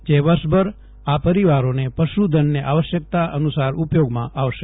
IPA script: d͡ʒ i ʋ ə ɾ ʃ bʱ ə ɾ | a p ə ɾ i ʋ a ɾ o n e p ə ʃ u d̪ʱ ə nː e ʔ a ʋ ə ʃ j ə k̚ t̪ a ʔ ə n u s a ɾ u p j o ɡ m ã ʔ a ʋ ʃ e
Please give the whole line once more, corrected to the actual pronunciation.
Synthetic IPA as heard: d͡ʒ e ʋ ə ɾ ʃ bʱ ə ɾ | a p ə ɾ i ʋ a ɾ o n e p ə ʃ u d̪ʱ ə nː e ʔ a ʋ ə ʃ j ə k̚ t̪ a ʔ ə n u s a ɾ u p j o ɡ m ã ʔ a ʋ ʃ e